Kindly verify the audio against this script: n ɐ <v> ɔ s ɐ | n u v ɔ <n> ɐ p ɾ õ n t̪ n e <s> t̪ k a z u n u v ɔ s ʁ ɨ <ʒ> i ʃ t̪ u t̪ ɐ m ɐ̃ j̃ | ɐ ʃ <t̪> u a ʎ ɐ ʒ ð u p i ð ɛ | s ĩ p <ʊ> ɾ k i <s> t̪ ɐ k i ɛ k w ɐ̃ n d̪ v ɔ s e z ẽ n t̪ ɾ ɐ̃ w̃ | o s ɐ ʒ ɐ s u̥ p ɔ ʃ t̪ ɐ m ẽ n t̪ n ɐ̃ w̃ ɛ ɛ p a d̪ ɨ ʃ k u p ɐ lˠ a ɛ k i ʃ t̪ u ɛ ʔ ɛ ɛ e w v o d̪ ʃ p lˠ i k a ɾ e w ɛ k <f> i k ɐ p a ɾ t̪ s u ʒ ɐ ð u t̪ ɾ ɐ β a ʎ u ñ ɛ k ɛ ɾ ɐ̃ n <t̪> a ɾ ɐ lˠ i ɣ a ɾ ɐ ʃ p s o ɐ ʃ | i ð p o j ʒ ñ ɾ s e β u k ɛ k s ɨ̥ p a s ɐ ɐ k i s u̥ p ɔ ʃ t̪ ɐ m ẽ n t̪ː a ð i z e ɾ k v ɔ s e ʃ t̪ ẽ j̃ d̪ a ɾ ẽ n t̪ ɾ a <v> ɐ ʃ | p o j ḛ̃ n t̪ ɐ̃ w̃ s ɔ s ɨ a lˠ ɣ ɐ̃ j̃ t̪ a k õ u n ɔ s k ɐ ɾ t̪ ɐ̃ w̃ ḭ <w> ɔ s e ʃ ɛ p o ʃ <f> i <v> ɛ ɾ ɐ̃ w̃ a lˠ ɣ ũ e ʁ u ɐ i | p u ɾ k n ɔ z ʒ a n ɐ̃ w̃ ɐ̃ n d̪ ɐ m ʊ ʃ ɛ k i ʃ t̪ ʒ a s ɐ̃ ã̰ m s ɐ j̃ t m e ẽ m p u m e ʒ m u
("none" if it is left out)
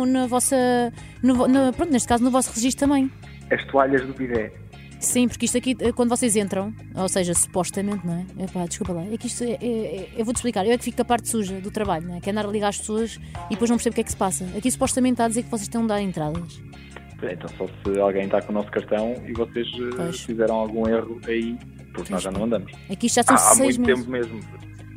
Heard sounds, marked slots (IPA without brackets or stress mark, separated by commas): v, n, ʃ, ʒ, t̪, u, ʃ, f, d̪, ð, v, f, z